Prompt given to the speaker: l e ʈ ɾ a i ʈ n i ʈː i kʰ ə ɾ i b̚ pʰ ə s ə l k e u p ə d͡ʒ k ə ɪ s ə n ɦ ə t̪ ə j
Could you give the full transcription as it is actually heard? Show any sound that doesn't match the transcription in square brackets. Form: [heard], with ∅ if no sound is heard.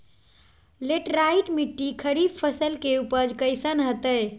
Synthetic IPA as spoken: l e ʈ ɾ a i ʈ [m] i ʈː i kʰ ə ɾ i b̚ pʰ ə s ə l k e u p ə d͡ʒ k ə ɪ s ə n ɦ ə t̪ ə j

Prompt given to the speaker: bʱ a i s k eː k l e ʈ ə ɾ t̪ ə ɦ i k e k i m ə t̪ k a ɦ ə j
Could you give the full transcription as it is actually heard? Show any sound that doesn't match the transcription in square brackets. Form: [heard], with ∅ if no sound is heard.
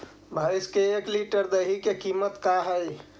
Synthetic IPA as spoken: bʱ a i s k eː k l [i] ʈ ə ɾ [d̪] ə ɦ i k e k i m ə t̪ k a ɦ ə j

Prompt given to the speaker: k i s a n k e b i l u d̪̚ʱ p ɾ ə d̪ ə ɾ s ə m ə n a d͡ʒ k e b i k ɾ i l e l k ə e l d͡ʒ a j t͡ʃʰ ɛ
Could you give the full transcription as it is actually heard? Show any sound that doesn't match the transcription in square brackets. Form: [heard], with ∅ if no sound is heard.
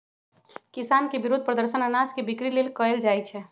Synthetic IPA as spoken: k i s a n k e b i [ɾ] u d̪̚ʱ p ɾ ə d̪ ə ɾ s ə [n] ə n a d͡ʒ k e b i k ɾ i l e l k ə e l d͡ʒ a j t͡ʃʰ ɛ

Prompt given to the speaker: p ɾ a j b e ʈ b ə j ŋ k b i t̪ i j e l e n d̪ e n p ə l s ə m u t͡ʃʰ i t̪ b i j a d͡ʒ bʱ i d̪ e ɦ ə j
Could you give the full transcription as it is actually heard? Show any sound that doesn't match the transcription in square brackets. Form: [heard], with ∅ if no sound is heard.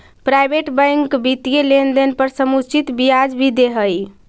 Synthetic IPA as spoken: p ɾ a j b e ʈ b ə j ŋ k b i t̪ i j e l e n d̪ e n p ə [ɾ] s ə m u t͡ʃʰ i t̪ b i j a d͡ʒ bʱ i d̪ e ɦ ə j

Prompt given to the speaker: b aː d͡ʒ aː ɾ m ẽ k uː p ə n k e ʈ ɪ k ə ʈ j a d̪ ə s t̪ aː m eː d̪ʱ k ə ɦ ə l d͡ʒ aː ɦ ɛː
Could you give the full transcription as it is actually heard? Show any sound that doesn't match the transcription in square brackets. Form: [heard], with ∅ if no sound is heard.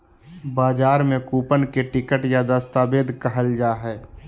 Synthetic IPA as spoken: b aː d͡ʒ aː ɾ m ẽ k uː p ə n k e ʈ ɪ k ə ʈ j a d̪ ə s t̪ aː [b] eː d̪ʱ k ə ɦ ə l d͡ʒ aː ɦ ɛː

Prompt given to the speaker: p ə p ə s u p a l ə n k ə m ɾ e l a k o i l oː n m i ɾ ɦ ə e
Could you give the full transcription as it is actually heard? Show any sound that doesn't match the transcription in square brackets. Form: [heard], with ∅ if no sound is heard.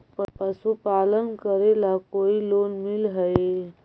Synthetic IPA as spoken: p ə p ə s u p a l ə n k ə [∅] ɾ e l a k o i l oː n m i [l] ɦ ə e

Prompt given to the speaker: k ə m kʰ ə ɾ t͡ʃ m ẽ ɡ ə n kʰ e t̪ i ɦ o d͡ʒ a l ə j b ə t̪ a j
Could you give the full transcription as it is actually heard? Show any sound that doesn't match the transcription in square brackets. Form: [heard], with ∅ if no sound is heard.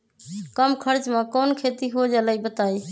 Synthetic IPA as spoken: k ə m kʰ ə ɾ t͡ʃ m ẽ [k] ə n kʰ e t̪ i ɦ o d͡ʒ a l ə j b ə t̪ a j

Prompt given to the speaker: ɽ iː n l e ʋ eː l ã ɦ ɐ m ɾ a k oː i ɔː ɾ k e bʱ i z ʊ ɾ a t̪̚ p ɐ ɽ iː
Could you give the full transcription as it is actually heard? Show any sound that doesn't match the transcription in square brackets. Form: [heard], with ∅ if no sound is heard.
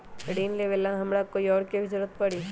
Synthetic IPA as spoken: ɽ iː n l e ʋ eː l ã ɦ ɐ m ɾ a k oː i ɔː ɾ k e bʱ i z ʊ ɾ [ə] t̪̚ p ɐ ɽ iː

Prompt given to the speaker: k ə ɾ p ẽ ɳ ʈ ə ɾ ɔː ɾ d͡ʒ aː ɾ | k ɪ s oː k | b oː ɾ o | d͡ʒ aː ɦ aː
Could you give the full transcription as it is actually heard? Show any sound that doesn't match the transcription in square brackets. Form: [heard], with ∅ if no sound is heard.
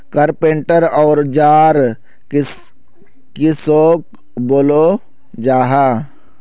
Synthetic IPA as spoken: k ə ɾ p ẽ ɳ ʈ ə ɾ ɔː ɾ d͡ʒ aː ɾ | k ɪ s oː k | b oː [l] o | d͡ʒ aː ɦ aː

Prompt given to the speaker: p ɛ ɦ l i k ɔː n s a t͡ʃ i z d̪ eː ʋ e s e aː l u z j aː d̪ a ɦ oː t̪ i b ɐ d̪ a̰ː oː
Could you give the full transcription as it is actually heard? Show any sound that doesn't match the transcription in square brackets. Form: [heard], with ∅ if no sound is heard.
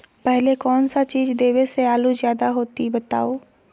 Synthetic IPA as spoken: p ɛ ɦ l [e] k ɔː n s a t͡ʃ [iː] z d̪ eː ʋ e s e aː l u z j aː d̪ a ɦ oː t̪ i b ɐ [t̪] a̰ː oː

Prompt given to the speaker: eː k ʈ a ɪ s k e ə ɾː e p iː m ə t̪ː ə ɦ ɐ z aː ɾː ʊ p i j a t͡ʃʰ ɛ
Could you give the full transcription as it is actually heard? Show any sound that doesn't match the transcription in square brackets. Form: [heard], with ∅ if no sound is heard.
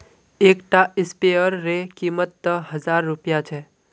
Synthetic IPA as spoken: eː k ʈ a ɪ s [p] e ə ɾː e [k] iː m ə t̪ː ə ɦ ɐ z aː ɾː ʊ p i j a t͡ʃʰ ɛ

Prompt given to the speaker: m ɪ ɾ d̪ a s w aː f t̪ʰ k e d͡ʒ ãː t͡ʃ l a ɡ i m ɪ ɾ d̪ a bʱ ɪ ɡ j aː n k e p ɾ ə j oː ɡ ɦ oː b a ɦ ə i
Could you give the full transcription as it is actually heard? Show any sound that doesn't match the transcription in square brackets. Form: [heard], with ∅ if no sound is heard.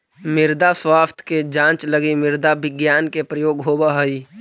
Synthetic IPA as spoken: m ɪ ɾ d̪ a s w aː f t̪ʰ k e d͡ʒ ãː t͡ʃ l [ə] ɡ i m ɪ ɾ d̪ a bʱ ɪ ɡ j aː n k e p ɾ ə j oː ɡ ɦ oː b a ɦ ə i

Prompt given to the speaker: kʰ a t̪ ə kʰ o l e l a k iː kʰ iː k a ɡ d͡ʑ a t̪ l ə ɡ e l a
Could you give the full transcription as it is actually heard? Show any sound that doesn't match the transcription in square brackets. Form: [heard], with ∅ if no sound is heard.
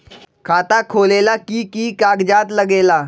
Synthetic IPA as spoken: kʰ a t̪ [a] kʰ o l e l a k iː [k] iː k a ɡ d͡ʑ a t̪ l ə ɡ e l a

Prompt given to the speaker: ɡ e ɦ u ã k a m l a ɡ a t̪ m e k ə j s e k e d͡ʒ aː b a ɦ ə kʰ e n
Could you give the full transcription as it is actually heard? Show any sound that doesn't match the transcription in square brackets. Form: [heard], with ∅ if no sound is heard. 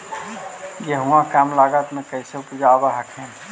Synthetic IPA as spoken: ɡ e ɦ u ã k a m l a ɡ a t̪ m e k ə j s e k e d͡ʒ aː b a ɦ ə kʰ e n

